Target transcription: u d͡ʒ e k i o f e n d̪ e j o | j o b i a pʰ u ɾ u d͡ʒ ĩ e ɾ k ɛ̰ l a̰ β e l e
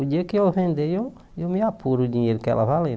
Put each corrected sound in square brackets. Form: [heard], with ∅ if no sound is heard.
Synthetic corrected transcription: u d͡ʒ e k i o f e n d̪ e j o | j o [m] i a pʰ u ɾ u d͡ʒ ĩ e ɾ k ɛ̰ l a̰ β [a] l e